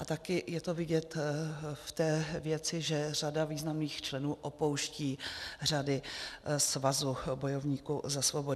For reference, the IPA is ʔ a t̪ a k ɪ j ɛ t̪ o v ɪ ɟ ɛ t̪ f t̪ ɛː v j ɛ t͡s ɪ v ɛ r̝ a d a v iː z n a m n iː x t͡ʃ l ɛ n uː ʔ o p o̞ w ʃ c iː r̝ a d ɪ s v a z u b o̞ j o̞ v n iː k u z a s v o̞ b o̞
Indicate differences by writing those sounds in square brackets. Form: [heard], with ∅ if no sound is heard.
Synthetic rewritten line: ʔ a t̪ a k ɪ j ɛ t̪ o v ɪ ɟ ɛ t̪ f t̪ ɛː v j ɛ t͡s ɪ [ʒ] ɛ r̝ a d a v iː z n a m n iː x t͡ʃ l ɛ n uː ʔ o p o̞ w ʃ c iː r̝ a d ɪ s v a z u b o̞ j o̞ v [ɲ] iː k u z a s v o̞ b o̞